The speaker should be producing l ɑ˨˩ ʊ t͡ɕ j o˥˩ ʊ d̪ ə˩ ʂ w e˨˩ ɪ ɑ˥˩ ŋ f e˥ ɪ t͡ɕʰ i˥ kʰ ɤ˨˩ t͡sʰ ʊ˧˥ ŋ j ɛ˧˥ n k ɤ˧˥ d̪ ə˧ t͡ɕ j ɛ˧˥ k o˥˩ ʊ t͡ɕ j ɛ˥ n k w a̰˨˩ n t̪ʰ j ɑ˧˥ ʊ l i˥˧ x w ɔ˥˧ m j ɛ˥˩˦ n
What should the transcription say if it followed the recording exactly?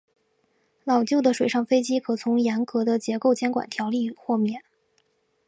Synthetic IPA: l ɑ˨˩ ʊ t͡ɕ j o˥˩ ʊ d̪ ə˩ ʂ w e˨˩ ɪ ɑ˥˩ ŋ f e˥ ɪ t͡ɕ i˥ kʰ ɤ˨˩ t͡sʰ ʊ˧˥ ŋ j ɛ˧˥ n k ɤ˧˥ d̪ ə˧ t͡ɕ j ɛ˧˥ k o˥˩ ʊ t͡ɕ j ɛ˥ n k w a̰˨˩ n t̪ʰ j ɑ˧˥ ʊ l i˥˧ x w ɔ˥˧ m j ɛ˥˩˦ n

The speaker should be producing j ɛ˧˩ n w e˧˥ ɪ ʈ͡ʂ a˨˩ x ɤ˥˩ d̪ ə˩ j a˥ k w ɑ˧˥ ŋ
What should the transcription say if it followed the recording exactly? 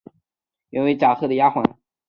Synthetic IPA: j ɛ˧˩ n w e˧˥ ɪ ʈ͡ʂ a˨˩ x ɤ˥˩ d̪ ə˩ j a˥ x w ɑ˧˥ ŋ

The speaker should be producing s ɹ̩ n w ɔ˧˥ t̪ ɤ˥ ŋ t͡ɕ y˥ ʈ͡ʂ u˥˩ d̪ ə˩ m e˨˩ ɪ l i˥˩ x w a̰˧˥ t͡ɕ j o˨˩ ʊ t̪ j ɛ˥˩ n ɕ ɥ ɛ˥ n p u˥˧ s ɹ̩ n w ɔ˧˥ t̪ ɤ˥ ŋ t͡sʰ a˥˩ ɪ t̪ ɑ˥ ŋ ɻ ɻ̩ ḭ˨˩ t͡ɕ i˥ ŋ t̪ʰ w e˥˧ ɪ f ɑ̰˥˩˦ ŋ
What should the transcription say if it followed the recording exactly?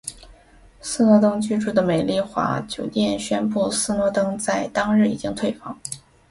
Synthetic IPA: s ɹ̩ n w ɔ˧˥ t̪ ɤ˥ ŋ t͡ɕ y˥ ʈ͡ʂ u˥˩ d̪ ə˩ m e˨˩ ɪ l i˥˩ x w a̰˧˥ t͡ɕ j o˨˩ ʊ t̪ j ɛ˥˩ n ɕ ɥ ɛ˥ n p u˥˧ s ɹ̩ n w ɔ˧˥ t̪ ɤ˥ ŋ t͡s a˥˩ ɪ t̪ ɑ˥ ŋ ɻ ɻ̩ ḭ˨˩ t͡ɕ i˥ ŋ t̪ʰ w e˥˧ ɪ f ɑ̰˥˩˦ ŋ

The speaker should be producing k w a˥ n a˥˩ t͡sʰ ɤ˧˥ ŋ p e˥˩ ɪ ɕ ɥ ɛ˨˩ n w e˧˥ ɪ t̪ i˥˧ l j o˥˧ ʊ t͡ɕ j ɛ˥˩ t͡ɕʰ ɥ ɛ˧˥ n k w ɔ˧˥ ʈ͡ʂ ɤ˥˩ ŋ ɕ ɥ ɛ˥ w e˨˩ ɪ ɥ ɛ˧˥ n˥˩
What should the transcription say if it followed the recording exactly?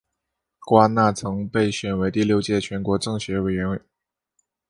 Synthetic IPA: k w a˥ n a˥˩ t͡sʰ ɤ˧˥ ŋ p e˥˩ ɪ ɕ ɥ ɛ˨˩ n w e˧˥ ɪ t̪ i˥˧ l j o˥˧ ʊ t͡ɕ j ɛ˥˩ t͡ɕʰ ɥ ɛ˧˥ n k w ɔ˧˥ ʈ͡ʂ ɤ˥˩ ŋ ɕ ɥ ɛ˧˥ w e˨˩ ɪ ɥ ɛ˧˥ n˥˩

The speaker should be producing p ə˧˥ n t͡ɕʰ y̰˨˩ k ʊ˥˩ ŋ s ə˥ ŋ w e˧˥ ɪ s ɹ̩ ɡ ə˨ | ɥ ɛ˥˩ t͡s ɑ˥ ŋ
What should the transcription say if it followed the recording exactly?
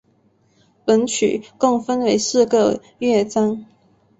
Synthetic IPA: p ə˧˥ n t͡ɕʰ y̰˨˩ k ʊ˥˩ ŋ f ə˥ n w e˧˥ ɪ s ɹ̩ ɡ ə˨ | ɥ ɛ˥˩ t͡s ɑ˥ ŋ

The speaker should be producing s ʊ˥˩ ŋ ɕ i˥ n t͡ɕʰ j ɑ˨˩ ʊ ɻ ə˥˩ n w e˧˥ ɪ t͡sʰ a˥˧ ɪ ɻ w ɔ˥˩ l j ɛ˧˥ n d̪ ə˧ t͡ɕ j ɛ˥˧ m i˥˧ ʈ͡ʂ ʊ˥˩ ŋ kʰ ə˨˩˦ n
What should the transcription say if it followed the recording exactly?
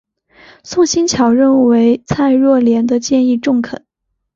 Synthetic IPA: s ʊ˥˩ ŋ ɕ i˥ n t͡ɕʰ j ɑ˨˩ ʊ ɻ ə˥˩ n w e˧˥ ɪ t͡sʰ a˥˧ ɪ ɻ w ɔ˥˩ l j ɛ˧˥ n d̪ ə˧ t͡ɕ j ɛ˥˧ n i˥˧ ʈ͡ʂ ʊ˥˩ ŋ kʰ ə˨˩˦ n

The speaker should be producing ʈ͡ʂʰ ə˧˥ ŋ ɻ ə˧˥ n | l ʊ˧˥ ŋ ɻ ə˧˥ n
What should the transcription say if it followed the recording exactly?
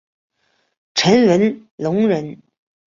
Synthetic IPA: ʈ͡ʂʰ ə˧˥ n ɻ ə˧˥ n | l ʊ˧˥ ŋ ɻ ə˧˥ n

